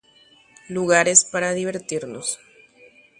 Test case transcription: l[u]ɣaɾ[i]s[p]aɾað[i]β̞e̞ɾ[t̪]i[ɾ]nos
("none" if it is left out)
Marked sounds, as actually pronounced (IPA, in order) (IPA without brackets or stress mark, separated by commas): u, e, p, i, t̪, ɾ